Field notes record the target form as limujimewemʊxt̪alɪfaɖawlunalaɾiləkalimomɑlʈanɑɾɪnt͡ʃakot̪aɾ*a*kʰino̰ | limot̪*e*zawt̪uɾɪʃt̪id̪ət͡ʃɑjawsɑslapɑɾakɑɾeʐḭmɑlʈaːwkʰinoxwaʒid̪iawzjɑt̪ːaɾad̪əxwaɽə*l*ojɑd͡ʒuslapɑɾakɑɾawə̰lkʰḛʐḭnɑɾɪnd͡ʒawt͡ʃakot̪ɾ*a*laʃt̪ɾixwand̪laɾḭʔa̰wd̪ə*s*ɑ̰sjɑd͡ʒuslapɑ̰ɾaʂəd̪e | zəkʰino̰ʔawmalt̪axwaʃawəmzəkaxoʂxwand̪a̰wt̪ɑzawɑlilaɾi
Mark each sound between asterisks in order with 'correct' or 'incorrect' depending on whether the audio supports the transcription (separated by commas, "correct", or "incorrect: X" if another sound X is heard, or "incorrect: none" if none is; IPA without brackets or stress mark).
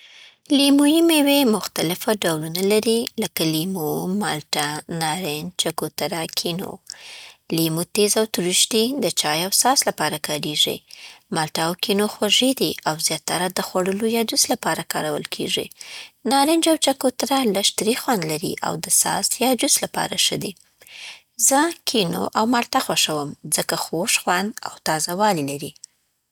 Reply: correct, correct, correct, correct, correct